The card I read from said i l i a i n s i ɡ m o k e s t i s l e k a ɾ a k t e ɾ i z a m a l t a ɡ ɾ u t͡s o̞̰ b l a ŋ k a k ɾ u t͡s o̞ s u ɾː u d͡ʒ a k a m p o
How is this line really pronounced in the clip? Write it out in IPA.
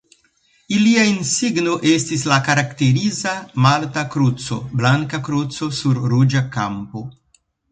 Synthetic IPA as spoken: i l i a i n s i ɡ n o ʔ e s t i s l a k a ɾ a k t e ɾ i z a m a l t a k ɾ u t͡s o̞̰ b l a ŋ k a k ɾ u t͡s o̞ s u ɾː u d͡ʒ a k a m p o

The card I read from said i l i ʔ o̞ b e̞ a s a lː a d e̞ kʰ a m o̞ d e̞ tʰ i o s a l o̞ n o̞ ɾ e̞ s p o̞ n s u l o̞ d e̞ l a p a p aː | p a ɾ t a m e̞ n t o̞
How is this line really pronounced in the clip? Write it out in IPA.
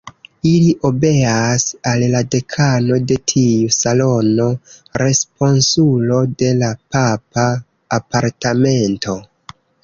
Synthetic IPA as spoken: i l i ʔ o̞ b e̞ a s a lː a d e̞ kʰ a n o̞ d e̞ tʰ i u s a l o̞ n o̞ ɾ e̞ s p o̞ n s u l o̞ d e̞ l a p a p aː | p a ɾ t a m e̞ n t o̞

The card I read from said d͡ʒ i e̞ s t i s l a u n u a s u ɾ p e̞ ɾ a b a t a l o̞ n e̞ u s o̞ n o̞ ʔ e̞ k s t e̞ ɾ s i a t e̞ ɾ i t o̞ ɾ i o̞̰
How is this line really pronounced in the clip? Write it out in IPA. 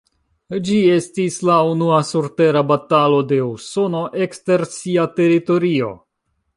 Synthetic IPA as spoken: d͡ʒ i e̞ s t i s l a u n u a s u ɾ t e̞ ɾ a b a t a l o̞ d e̞ u s o̞ n o̞ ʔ e̞ k s t e̞ ɾ s i a t e̞ ɾ i t o̞ ɾ i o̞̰

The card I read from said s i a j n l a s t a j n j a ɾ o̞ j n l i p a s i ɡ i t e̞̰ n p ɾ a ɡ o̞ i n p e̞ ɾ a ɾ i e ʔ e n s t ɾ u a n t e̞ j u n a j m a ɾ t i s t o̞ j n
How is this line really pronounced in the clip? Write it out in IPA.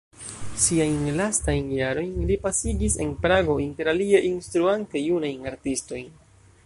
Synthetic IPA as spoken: s i a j n l a s t a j n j a ɾ o̞ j n l i p a s i ɡ i s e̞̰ n p ɾ a ɡ o̞ i n t e̞ ɾ a l i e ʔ i n s t ɾ u a n t e̞ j u n a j n a ɾ t i s t o̞ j n

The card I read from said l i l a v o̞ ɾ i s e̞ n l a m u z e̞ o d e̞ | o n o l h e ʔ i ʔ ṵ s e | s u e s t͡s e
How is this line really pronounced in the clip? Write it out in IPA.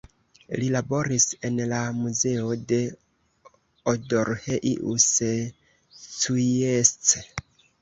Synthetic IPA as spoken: l i l a b o̞ ɾ i s e̞ n l a m u z e̞ o d e̞ | o d o ɾ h e ʔ i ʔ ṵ s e | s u e s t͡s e

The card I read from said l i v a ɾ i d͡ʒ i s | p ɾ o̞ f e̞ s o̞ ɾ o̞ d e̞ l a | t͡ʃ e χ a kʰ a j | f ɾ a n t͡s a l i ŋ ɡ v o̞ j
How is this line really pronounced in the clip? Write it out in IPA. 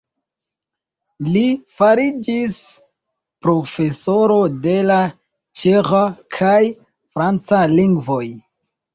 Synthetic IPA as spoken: l i f a ɾ i d͡ʒ i s | p ɾ o̞ f e̞ s o̞ ɾ o̞ d e̞ l a | t͡ʃ e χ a kʰ a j | f ɾ a n t͡s a l i ŋ ɡ v o̞ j

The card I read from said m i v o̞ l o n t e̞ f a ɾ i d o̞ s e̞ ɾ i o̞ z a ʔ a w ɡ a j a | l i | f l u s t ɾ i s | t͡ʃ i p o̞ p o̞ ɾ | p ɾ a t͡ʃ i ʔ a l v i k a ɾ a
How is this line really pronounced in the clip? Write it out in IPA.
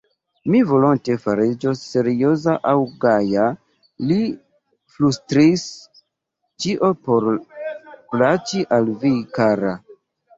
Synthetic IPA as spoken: m i v o̞ l o n t e̞ f a ɾ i d͡ʒ o̞ s e̞ ɾ i o̞ z a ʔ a w ɡ a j a | l i | f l u s t ɾ i s | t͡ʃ i ʔ o̞ p o̞ ɾ | p l a t͡ʃ i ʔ a l v i k a ɾ a

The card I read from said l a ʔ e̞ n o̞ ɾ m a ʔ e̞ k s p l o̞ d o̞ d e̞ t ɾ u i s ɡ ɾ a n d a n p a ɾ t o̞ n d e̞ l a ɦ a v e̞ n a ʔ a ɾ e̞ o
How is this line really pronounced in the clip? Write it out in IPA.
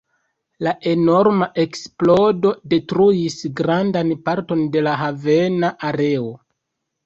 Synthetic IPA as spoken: l a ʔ e̞ n o̞ ɾ m a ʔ e̞ k s p l o̞ d o̞ d e̞ t ɾ u i s ɡ ɾ a n d a n p a ɾ t o̞ n d e̞ l a ɦ a v e̞ n a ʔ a ɾ e̞ o

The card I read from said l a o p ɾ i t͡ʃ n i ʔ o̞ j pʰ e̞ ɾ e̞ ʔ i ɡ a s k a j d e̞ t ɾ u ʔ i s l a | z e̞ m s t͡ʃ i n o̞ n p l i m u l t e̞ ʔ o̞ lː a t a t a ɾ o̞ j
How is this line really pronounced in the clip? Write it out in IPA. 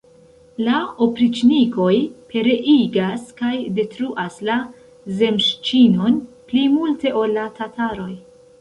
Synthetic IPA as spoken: l a o p ɾ i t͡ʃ n i k o̞ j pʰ e̞ ɾ e̞ ʔ i ɡ a s k a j d e̞ t ɾ u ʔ a s l a | z e̞ m ʃ t͡ʃ i n o̞ n p l i m u l t e̞ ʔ o̞ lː a t a t a ɾ o̞ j

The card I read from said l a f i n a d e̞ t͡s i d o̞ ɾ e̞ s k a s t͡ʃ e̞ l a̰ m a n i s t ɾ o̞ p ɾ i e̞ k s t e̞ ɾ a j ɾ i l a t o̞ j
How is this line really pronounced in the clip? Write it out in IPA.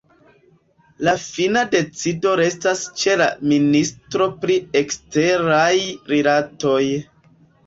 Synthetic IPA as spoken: l a f i n a d e̞ t͡s i d o̞ ɾ e̞ s t a s t͡ʃ e̞ l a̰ m i n i s t ɾ o̞ p ɾ i e̞ k s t e̞ ɾ a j ɾ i l a t o̞ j

